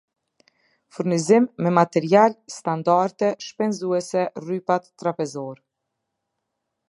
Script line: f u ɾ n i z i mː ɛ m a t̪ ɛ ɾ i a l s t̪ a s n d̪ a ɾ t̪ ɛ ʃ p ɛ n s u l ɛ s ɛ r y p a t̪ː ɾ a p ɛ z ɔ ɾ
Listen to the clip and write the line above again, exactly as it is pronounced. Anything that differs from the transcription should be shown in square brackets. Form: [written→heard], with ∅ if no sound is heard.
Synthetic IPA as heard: f u ɾ n i z i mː ɛ m a t̪ ɛ ɾ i a l s t̪ a [s→∅] n d̪ a ɾ t̪ ɛ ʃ p ɛ n [s→z] u [l→∅] ɛ s ɛ r y p a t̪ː ɾ a p ɛ z ɔ ɾ